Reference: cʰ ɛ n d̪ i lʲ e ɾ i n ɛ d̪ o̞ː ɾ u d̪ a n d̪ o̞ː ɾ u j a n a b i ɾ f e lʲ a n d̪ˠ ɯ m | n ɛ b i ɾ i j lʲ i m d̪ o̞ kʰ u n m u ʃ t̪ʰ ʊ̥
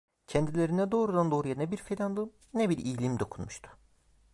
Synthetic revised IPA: cʰ ɛ n d̪ i lʲ e ɾ i n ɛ d̪ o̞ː ɾ u d̪ a n d̪ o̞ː ɾ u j a n ɛ b i ɾ f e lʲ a n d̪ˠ ɯ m | n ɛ b i ɾ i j lʲ i m d̪ o̞ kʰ u n m u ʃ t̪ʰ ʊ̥